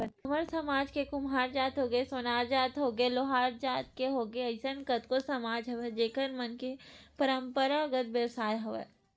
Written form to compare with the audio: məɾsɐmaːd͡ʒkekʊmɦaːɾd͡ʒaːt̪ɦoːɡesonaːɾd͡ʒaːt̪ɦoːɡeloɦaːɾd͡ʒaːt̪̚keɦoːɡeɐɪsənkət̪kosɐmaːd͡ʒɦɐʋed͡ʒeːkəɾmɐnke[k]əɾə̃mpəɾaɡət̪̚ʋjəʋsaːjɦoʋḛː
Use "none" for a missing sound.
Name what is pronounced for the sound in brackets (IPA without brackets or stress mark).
p